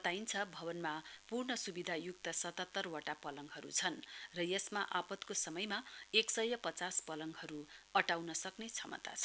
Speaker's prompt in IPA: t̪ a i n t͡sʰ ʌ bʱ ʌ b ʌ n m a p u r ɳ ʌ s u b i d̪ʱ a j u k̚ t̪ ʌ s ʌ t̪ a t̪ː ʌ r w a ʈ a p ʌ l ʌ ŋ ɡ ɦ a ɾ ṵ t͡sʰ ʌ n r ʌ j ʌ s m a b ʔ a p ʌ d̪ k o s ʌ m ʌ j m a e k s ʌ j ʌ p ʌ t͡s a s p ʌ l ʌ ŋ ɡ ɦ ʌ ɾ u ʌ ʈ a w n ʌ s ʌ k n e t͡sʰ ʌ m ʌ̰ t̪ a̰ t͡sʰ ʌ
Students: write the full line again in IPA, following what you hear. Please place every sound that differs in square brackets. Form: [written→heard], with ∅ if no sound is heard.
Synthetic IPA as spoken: t̪ a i n t͡sʰ ʌ bʱ ʌ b ʌ n m a p u r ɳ ʌ s u b i d̪ʱ a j u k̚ t̪ ʌ s ʌ t̪ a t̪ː ʌ r w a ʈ a p ʌ l ʌ ŋ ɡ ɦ [a→ʌ] ɾ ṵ t͡sʰ ʌ n r ʌ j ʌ s m a [b→∅] ʔ a p ʌ [d̪→t̪] k o s ʌ m ʌ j m a e k s ʌ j ʌ p ʌ t͡s a s p ʌ l ʌ ŋ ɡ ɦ ʌ ɾ u ʌ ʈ a w n ʌ s ʌ k n e t͡sʰ ʌ m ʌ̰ t̪ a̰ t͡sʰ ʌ